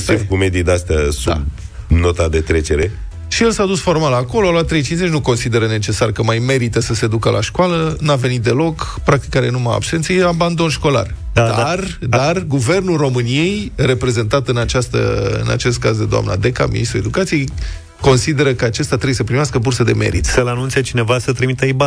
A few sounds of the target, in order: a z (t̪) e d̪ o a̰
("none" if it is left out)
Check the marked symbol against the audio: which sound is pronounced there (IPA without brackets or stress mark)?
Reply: d̪